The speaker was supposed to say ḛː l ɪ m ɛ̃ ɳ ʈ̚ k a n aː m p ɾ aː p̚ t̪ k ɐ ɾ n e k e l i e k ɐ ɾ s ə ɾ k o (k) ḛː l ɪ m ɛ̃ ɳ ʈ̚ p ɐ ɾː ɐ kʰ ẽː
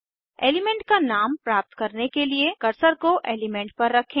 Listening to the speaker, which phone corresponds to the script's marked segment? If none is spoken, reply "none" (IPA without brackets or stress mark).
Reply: ʔ